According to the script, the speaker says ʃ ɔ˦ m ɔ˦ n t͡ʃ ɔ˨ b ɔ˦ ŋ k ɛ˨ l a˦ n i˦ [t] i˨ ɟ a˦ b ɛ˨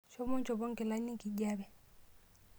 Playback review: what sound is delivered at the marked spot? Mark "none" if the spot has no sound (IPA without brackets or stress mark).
k